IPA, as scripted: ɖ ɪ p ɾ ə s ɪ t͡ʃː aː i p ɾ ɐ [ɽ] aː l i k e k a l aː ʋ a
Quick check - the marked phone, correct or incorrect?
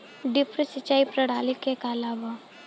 correct